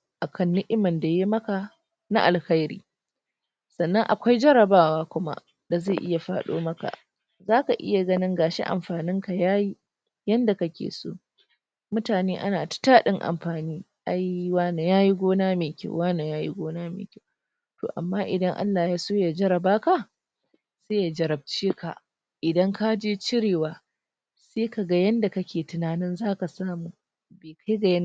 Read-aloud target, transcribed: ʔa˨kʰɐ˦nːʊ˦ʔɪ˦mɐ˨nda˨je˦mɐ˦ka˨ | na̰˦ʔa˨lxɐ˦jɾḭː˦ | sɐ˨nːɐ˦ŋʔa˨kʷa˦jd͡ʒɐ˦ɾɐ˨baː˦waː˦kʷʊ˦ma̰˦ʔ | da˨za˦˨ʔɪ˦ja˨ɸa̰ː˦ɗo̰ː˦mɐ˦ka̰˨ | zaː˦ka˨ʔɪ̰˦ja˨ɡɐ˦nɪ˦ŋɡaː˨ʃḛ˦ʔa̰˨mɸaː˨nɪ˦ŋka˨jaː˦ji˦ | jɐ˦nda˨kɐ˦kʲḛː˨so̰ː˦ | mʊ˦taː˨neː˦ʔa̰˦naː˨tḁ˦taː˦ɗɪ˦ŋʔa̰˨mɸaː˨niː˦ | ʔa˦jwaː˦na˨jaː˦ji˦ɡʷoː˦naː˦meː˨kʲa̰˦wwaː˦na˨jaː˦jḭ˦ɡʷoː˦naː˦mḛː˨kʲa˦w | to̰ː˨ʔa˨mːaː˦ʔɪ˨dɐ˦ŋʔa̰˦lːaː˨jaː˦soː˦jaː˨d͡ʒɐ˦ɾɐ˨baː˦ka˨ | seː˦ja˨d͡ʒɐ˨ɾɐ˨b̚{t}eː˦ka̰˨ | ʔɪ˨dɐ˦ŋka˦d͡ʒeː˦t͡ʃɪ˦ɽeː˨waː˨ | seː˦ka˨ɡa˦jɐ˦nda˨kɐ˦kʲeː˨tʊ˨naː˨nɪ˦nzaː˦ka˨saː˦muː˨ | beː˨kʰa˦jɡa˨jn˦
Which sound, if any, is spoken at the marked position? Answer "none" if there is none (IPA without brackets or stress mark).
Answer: t͡ʃ